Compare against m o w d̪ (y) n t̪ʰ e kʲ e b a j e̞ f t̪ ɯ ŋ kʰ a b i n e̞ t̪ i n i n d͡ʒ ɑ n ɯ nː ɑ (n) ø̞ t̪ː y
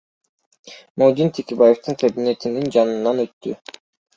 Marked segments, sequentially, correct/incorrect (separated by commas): incorrect, correct